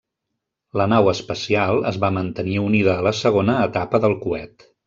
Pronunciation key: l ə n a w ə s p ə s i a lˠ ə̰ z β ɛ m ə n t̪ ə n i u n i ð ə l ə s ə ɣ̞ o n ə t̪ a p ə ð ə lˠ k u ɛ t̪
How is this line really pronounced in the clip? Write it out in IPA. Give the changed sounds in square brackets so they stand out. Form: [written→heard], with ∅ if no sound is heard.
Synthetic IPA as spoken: l ə n a w ə s p ə s i a lˠ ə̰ z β [ɛ→a] m ə n t̪ ə n i u n i ð [ə→əː] l ə s ə ɣ̞ o n [ə→əː] t̪ a p ə ð ə lˠ k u ɛ t̪